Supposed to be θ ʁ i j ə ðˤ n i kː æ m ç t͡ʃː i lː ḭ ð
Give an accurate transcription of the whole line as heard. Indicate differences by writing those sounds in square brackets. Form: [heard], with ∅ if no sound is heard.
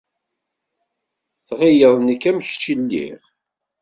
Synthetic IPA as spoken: θ ʁ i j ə ðˤ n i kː æ m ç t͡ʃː i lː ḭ [ʁ]